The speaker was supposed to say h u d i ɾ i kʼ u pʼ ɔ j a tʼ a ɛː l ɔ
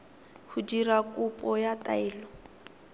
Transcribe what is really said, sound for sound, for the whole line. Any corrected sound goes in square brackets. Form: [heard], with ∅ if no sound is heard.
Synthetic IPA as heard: h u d i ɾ [a] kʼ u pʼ ɔ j a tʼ a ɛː l ɔ